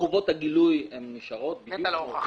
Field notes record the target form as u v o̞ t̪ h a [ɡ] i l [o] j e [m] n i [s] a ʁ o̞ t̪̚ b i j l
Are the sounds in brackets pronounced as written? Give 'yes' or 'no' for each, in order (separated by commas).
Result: yes, no, yes, no